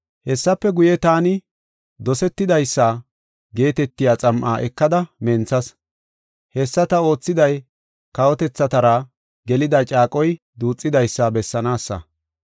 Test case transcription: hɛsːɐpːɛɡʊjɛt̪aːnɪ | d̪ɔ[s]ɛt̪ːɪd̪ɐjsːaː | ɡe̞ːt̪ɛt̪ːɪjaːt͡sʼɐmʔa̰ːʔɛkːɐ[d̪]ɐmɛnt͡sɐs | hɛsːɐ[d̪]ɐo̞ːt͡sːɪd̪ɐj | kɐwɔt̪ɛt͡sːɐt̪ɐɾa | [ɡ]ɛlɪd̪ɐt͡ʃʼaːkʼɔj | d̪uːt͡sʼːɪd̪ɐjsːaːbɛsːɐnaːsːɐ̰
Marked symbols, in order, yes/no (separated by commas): yes, yes, no, yes